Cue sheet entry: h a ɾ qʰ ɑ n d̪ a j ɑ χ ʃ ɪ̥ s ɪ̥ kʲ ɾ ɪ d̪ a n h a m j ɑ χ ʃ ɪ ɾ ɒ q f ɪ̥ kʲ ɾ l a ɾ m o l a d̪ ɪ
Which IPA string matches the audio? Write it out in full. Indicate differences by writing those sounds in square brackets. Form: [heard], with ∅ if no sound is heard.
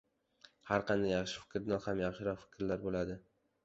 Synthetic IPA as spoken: h a ɾ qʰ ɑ n d̪ a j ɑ χ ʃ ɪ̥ [f] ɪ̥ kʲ ɾ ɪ d̪ a n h a m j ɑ χ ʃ ɪ ɾ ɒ q f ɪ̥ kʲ ɾ l a ɾ [b] o l a d̪ ɪ